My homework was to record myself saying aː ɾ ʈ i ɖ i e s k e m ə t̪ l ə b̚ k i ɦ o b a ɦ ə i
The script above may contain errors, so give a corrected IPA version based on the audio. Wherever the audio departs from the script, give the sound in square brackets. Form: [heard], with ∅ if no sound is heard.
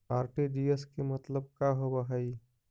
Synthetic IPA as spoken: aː ɾ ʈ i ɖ i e s k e m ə t̪ l ə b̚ k [a] ɦ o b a ɦ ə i